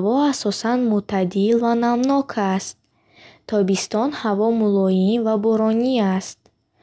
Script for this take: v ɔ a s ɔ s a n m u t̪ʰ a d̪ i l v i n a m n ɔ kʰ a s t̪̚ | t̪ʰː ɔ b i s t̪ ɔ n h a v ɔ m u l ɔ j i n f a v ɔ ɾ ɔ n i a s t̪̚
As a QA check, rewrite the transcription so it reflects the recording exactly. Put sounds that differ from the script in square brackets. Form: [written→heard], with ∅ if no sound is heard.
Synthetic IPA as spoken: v ɔ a s ɔ s a n m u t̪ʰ a d̪ i l v [i→a] n a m n ɔ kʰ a s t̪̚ | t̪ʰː ɔ b i s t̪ ɔ n h a v ɔ m u l ɔ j i n [f→v] a [v→b] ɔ ɾ ɔ n i a s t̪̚